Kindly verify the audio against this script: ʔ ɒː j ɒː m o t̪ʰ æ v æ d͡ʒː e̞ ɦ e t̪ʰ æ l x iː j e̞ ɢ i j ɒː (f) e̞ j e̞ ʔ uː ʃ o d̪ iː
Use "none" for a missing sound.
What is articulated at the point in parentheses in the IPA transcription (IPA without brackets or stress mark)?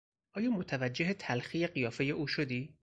f